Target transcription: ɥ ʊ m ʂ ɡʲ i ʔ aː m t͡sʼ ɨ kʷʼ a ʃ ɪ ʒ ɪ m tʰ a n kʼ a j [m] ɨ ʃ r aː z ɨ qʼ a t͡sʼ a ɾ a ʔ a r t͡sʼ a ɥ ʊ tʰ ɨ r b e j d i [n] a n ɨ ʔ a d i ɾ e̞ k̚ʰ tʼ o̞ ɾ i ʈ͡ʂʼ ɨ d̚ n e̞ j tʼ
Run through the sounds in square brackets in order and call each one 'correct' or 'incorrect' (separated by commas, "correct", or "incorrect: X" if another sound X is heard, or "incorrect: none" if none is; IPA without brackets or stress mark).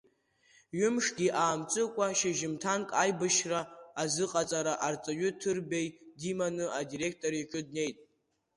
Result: incorrect: b, incorrect: m